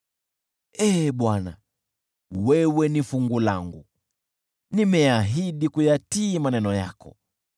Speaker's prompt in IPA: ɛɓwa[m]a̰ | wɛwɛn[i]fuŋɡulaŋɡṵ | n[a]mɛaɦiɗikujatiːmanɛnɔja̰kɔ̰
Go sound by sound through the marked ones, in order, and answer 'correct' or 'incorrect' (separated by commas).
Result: incorrect, correct, incorrect